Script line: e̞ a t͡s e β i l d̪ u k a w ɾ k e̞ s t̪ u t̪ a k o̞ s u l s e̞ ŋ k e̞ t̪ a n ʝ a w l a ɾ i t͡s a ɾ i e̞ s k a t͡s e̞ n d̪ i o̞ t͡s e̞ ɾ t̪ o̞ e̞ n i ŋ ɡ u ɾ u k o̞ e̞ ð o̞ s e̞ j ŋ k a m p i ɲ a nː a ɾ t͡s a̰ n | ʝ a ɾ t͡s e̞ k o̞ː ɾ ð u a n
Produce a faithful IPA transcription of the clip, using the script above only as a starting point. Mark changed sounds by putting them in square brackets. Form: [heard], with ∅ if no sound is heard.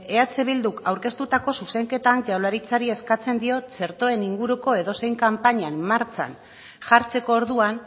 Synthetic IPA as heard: e̞ a t͡s e β i l d̪ u k a w ɾ k e̞ s t̪ u t̪ a k o̞ s u [∅] s e̞ ŋ k e̞ t̪ a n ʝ a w l a ɾ i t͡s a ɾ i e̞ s k a t͡s e̞ n d̪ i o̞ t͡s e̞ ɾ t̪ o̞ e̞ n i ŋ ɡ u ɾ u k o̞ e̞ ð o̞ s e̞ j ŋ k a m p [a] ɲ a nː a ɾ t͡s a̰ n | ʝ a ɾ t͡s e̞ k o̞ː ɾ ð u a n

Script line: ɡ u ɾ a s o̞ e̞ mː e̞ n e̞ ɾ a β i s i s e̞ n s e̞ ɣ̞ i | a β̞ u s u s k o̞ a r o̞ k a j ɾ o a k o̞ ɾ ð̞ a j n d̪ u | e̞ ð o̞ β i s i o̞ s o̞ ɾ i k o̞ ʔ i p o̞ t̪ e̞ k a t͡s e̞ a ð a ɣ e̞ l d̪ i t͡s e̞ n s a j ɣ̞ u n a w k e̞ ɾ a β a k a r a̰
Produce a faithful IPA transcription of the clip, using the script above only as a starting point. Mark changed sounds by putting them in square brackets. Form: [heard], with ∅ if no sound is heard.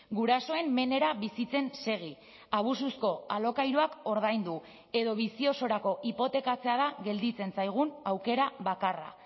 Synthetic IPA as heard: ɡ u ɾ a s o̞ e̞ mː e̞ n e̞ ɾ a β i s i [t͡s] e̞ n s e̞ ɣ̞ i | a β̞ u s u s k o̞ a [l] o̞ k a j ɾ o a k o̞ ɾ ð̞ a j n d̪ u | e̞ ð o̞ β i s i o̞ s o̞ ɾ [a] k o̞ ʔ i p o̞ t̪ e̞ k a t͡s e̞ a ð a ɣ e̞ l d̪ i t͡s e̞ n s a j ɣ̞ u n a w k e̞ ɾ a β a k a r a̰

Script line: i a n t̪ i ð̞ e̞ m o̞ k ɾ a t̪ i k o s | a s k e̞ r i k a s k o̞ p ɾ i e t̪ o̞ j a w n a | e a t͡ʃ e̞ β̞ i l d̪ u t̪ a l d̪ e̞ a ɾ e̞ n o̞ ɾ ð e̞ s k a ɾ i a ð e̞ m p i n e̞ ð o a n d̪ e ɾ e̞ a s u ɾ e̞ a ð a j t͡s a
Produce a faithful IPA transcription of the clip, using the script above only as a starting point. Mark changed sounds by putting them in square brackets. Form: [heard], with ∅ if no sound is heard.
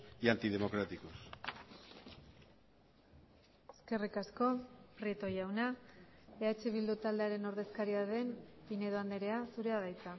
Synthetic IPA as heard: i a n t̪ i ð̞ e̞ m o̞ k ɾ a t̪ i k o s | [e] s k e̞ r i k a s k o̞ p ɾ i e t̪ o̞ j a w n a | e a t͡ʃ e̞ β̞ i l d̪ u t̪ a l d̪ e̞ a ɾ e̞ n o̞ ɾ ð e̞ s k a ɾ i a ð e̞ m p i n e̞ ð o a n d̪ e ɾ e̞ a s u ɾ e̞ a ð a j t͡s a

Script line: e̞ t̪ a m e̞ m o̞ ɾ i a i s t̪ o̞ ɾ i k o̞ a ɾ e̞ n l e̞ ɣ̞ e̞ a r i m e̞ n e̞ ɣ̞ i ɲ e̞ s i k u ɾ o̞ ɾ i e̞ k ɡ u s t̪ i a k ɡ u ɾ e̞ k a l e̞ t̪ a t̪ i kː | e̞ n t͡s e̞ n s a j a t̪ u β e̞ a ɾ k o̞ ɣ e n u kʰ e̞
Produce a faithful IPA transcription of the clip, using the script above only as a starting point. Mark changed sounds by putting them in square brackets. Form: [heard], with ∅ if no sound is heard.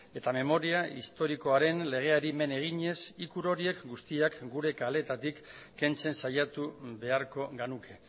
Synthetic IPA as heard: e̞ t̪ a m e̞ m o̞ ɾ i a i s t̪ o̞ ɾ i k o̞ a ɾ e̞ n l e̞ ɣ̞ e̞ a [ɾ] i m e̞ n e̞ ɣ̞ i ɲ e̞ s i k u ɾ o̞ ɾ i e̞ k ɡ u s t̪ i a k ɡ u ɾ e̞ k a l e̞ t̪ a t̪ i kː | e̞ n t͡s e̞ n s a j a t̪ u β e̞ a ɾ k o̞ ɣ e n u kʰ e̞

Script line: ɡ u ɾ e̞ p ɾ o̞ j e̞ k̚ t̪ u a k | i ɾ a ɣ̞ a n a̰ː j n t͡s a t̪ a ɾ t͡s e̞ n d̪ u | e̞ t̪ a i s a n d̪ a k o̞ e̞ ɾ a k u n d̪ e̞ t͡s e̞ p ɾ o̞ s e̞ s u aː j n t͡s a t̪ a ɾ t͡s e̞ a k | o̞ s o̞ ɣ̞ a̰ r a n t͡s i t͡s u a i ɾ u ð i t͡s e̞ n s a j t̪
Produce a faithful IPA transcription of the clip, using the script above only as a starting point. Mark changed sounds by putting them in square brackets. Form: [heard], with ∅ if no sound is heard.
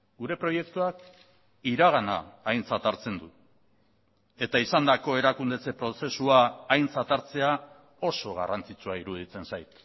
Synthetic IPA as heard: ɡ u ɾ e̞ p ɾ o̞ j e̞ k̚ t̪ u a k | i ɾ a ɣ̞ a n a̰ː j n t͡s a t̪ a ɾ t͡s e̞ n d̪ u | e̞ t̪ a i s a n d̪ a k o̞ e̞ ɾ a k u n d̪ e̞ t͡s e̞ p ɾ o̞ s e̞ s u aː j n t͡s a t̪ a ɾ t͡s e̞ a [∅] | o̞ s o̞ ɣ̞ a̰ r a n t͡s i t͡s u a i ɾ u ð i t͡s e̞ n s a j t̪

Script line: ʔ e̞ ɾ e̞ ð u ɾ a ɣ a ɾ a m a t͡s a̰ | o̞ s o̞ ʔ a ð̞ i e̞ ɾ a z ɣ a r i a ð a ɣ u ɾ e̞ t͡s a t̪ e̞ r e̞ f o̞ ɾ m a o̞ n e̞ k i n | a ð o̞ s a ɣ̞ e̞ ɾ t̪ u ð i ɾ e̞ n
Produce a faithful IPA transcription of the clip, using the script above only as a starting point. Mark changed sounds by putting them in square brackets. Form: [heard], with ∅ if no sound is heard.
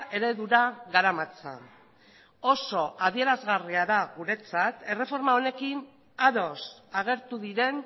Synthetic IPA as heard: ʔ e̞ ɾ e̞ ð u ɾ a ɣ a ɾ a m a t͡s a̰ | o̞ s o̞ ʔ a ð̞ i e̞ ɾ a z ɣ a r i a ð a ɣ u ɾ e̞ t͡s a t̪ e̞ r e̞ f o̞ ɾ m a o̞ n e̞ k i n | a ð o̞ s a ɣ̞ e̞ ɾ t̪ u ð i ɾ e̞ n

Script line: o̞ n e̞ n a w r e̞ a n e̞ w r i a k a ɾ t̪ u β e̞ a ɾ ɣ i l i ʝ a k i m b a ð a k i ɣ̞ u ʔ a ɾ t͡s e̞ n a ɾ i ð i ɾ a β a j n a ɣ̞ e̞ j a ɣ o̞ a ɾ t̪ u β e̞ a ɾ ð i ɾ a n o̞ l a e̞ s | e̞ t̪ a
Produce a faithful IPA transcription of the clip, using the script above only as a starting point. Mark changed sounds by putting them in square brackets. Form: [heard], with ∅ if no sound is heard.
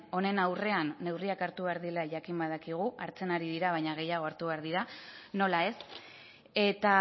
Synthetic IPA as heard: o̞ n e̞ n a w r e̞ a [nː] e̞ w r i a k a ɾ t̪ u β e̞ a ɾ [ð] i l [a] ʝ a k i m b a ð a k i ɣ̞ u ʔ a ɾ t͡s e̞ n a ɾ i ð i ɾ a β a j [ɲ] a ɣ̞ e̞ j a ɣ o̞ a ɾ t̪ u β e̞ a ɾ ð i ɾ a n o̞ l a e̞ s | e̞ t̪ a

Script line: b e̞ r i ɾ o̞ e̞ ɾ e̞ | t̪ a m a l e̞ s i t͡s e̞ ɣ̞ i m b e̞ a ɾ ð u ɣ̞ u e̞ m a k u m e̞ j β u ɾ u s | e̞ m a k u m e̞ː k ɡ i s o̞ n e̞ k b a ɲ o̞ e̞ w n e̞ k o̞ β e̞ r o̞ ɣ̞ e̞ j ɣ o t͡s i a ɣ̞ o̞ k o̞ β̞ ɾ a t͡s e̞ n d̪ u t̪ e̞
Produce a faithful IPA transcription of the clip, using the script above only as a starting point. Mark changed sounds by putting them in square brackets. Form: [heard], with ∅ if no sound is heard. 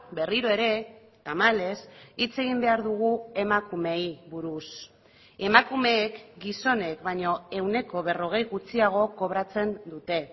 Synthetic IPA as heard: b e̞ r i ɾ o̞ e̞ ɾ e̞ | t̪ a m a l e̞ s i t͡s e̞ ɣ̞ i m b e̞ a ɾ ð u ɣ̞ u e̞ m a k u m e̞ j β u ɾ u s | e̞ m a k u m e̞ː k ɡ i s o̞ n e̞ k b a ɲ o̞ e̞ w n e̞ k o̞ β e̞ r o̞ ɣ̞ e̞ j ɣ [u] t͡s i a ɣ̞ o̞ k o̞ β̞ ɾ a t͡s e̞ n d̪ u t̪ e̞

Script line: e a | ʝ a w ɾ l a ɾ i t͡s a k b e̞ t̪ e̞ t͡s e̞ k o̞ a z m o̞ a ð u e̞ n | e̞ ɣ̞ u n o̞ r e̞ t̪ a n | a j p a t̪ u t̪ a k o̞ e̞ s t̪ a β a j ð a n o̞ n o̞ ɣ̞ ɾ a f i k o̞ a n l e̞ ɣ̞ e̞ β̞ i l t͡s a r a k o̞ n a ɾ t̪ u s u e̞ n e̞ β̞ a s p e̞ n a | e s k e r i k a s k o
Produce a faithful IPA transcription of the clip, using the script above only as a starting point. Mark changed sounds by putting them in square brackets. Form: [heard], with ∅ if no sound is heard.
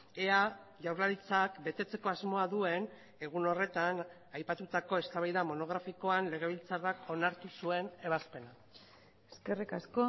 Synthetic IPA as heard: e a | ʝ a w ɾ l a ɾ i t͡s a k b e̞ t̪ e̞ t͡s e̞ k o̞ a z m o̞ a ð u e̞ n | e̞ ɣ̞ u n o̞ r e̞ t̪ a n | a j p a t̪ u t̪ a k o̞ e̞ s t̪ a β a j ð a [m] o̞ n o̞ ɣ̞ ɾ a f i k o̞ a n l e̞ ɣ̞ e̞ β̞ i l t͡s a r a k o̞ n a ɾ t̪ u s u e̞ n e̞ β̞ a s p e̞ n a | e s k e r i k a s k o

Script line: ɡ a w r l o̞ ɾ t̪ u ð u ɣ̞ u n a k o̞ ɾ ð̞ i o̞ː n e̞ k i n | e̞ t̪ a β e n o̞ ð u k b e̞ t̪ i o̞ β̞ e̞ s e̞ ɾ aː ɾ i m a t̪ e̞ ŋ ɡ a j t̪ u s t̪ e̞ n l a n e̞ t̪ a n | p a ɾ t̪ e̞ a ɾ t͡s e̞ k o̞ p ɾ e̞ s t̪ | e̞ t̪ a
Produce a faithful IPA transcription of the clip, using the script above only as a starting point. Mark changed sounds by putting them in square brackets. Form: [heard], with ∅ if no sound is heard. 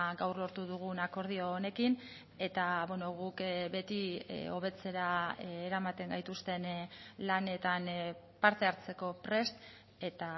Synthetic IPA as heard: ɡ a w r l o̞ ɾ t̪ u ð u ɣ̞ u n a k o̞ ɾ ð̞ i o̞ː n e̞ k i n | e̞ t̪ a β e n o̞ [ɣ] u k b e̞ t̪ i o̞ β̞ e̞ [t͡s] e̞ ɾ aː ɾ [a] m a t̪ e̞ ŋ ɡ a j t̪ u s t̪ e̞ n l a n e̞ t̪ a n | p a ɾ t̪ e̞ a ɾ t͡s e̞ k o̞ p ɾ e̞ s t̪ | e̞ t̪ a

